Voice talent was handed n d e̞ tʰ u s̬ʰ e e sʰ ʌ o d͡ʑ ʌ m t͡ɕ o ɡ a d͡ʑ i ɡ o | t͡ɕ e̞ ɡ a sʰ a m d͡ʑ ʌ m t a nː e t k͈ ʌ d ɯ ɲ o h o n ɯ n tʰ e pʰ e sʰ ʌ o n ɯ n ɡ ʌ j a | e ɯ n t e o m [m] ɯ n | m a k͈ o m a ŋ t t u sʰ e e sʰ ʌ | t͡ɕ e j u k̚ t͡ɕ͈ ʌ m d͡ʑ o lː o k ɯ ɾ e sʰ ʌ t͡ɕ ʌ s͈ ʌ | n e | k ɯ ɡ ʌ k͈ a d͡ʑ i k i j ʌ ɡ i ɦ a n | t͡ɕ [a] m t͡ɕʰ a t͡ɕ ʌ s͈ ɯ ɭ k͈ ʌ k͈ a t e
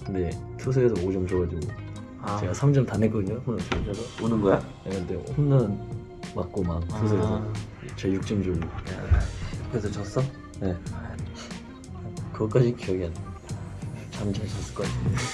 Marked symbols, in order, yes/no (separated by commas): no, yes